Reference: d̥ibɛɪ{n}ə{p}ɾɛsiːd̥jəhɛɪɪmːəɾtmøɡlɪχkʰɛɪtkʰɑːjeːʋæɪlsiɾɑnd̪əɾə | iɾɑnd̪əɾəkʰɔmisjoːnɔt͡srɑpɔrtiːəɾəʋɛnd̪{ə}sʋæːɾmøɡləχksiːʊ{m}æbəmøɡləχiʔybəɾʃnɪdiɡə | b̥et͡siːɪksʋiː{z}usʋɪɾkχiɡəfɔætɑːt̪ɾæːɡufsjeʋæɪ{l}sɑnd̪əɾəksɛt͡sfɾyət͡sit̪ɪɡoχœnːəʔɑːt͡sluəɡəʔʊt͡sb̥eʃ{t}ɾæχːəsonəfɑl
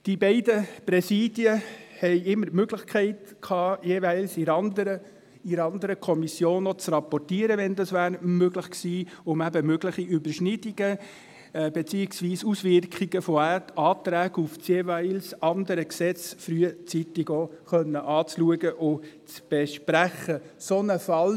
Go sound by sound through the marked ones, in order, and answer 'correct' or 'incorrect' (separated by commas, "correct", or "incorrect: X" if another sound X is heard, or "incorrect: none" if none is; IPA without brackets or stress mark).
incorrect: d, correct, incorrect: ɑ, correct, incorrect: s, correct, incorrect: p